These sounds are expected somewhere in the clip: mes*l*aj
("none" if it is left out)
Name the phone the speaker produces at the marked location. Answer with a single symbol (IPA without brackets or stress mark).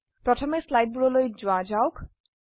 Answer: l